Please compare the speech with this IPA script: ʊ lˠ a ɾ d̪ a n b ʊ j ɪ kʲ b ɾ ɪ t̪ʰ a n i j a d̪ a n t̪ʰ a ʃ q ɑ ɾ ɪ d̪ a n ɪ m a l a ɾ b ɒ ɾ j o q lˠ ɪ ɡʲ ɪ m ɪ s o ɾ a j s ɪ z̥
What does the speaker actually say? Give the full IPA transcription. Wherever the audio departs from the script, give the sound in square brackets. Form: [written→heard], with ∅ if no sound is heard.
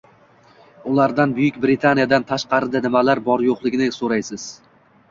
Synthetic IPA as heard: ʊ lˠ a ɾ d̪ a n b ʊ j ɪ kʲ b ɾ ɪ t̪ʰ a n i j a d̪ a n t̪ʰ a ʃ q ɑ ɾ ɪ d̪ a n ɪ m a l a ɾ b ɒ ɾ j o q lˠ ɪ ɡʲ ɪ [m→n] ɪ s o ɾ a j s ɪ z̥